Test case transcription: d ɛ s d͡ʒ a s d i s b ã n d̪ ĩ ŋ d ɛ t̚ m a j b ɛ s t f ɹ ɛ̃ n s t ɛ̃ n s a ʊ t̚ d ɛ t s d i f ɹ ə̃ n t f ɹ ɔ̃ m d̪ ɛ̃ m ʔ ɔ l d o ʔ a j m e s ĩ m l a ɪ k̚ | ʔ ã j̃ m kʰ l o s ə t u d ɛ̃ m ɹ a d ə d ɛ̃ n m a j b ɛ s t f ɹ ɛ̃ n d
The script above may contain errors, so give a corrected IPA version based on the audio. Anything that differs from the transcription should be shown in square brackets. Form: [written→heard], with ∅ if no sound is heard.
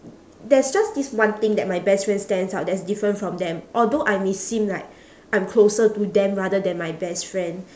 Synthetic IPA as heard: d ɛ s d͡ʒ a s d i s [b→w] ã n [d̪→t̪] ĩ ŋ d ɛ t̚ m a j b ɛ s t f ɹ ɛ̃ n s t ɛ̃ n s a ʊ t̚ d ɛ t s d i f ɹ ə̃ n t f ɹ ɔ̃ m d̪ ɛ̃ m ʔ ɔ l d o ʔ a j m e s ĩ m l a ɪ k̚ | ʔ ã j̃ m kʰ l o s ə t u d ɛ̃ m ɹ a d ə d ɛ̃ n m a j b ɛ s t f ɹ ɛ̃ n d